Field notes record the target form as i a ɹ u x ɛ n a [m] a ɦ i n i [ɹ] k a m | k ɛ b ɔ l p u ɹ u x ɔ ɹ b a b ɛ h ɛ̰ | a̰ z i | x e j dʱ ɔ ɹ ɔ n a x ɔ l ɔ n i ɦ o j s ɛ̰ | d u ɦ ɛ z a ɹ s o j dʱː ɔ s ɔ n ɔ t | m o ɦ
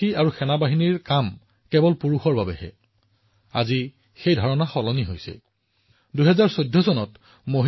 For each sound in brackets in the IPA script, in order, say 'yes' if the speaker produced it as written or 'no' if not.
no, yes

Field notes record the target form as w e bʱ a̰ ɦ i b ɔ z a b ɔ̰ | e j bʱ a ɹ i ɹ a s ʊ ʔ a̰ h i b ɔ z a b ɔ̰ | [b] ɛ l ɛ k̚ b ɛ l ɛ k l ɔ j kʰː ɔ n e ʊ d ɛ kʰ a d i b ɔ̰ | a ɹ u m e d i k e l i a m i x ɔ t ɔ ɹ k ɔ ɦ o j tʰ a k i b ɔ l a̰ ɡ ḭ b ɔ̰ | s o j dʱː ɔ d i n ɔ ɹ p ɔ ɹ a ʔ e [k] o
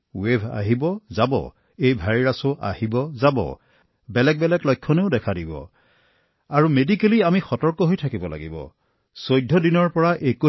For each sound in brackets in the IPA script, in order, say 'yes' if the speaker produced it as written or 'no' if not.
yes, yes

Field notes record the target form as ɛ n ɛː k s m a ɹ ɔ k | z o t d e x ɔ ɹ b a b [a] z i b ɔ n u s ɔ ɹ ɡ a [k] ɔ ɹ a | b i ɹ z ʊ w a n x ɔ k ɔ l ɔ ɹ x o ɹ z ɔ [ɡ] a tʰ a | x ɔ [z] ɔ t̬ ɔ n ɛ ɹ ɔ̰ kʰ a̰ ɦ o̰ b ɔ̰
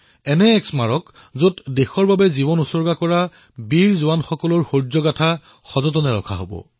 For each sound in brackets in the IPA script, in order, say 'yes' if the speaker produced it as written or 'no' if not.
no, yes, yes, yes

